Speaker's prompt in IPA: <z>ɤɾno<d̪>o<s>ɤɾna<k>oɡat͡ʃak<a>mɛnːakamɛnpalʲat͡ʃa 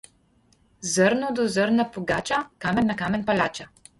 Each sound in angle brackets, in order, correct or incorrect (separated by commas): correct, correct, incorrect, incorrect, correct